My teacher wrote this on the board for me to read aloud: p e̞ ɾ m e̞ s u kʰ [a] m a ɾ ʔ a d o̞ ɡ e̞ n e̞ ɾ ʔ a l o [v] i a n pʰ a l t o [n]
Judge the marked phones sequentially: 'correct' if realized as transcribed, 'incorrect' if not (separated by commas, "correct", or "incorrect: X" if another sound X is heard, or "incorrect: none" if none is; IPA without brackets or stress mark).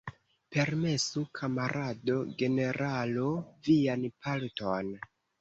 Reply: correct, correct, correct